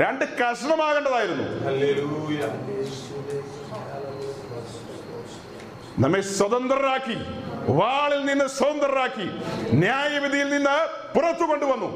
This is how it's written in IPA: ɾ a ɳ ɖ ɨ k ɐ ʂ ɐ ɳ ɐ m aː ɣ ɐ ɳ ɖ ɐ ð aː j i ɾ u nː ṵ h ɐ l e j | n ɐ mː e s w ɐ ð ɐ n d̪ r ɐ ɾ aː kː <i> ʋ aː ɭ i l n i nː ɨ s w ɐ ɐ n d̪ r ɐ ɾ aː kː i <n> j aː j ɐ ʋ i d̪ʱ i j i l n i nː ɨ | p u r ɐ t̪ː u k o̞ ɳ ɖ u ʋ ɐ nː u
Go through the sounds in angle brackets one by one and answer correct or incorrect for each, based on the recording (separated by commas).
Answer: correct, correct